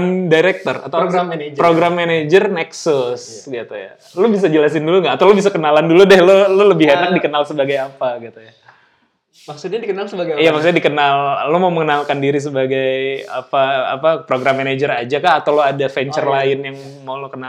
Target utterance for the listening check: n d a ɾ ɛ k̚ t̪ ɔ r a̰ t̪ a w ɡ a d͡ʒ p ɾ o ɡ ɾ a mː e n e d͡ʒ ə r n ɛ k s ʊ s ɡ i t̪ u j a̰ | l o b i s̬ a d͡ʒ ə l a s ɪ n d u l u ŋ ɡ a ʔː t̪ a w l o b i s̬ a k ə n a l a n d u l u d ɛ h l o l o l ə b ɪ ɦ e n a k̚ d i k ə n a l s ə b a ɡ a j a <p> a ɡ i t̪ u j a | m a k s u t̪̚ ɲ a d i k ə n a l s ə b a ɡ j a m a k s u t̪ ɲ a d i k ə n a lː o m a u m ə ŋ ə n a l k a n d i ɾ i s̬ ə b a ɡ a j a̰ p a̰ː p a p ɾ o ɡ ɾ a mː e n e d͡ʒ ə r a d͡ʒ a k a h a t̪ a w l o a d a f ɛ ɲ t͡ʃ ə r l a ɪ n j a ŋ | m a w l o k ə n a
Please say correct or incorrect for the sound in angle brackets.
correct